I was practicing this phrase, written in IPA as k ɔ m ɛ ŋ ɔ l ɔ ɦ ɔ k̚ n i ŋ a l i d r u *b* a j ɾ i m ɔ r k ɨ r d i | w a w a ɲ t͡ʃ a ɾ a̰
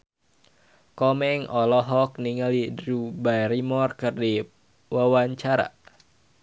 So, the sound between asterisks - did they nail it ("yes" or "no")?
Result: yes